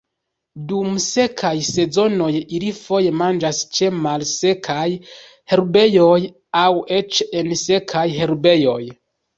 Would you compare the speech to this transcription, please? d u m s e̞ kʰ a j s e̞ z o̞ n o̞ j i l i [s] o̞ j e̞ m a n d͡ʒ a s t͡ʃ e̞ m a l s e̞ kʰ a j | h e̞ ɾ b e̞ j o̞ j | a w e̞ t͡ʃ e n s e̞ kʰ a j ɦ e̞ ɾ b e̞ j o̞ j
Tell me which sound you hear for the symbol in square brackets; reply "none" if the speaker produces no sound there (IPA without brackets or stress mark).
f